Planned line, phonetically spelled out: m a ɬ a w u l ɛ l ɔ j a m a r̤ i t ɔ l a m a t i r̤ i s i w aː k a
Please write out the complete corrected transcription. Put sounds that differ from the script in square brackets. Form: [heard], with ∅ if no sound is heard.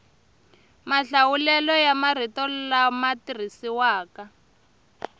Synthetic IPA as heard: m a ɬ a w u l ɛ l ɔ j a m a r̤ i t ɔ l a m a t i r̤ i s i w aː k a